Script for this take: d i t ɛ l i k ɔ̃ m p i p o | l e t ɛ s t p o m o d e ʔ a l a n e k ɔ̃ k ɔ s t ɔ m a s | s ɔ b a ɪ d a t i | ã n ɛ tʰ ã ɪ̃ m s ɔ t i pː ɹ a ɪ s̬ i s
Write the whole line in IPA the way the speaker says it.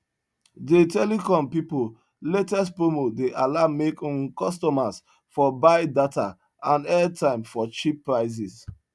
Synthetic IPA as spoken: d e t ɛ l i k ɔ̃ m p i p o | l e t ɛ s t p o m o d e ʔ a l a m e k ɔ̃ k ɔ s t ɔ m a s | f ɔ b a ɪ d a t a | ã n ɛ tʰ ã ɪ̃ m f ɔ t͡ʃ i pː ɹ a ɪ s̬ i s